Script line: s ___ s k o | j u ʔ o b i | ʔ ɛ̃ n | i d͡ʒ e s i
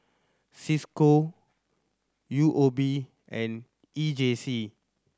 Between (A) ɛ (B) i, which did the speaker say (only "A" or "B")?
B